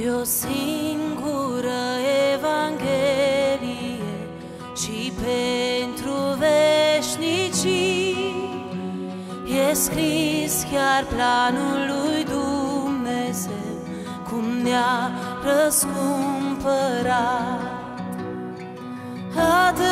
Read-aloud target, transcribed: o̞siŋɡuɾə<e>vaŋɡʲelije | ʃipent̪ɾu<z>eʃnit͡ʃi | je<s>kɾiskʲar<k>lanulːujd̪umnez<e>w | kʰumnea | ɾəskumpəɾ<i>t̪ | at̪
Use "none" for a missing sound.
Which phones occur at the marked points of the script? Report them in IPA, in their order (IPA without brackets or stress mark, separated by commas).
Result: e, v, s, p, e, a